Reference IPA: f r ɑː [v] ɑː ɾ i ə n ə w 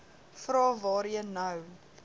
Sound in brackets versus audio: correct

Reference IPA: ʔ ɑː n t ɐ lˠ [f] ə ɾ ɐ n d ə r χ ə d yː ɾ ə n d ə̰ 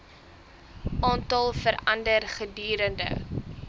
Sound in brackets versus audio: correct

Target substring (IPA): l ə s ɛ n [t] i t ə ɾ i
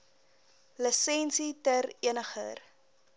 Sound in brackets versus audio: incorrect: s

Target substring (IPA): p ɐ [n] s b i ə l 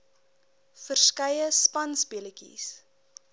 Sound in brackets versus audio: correct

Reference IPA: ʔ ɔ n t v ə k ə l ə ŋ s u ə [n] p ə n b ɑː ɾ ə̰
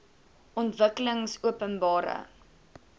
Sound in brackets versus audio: incorrect: none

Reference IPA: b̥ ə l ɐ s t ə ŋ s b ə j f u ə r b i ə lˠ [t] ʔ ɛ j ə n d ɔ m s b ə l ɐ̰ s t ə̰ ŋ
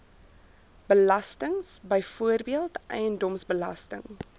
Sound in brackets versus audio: correct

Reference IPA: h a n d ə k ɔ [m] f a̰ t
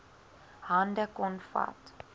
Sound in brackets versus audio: incorrect: n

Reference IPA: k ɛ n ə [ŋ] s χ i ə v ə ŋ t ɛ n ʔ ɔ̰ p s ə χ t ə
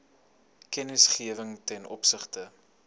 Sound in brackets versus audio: incorrect: none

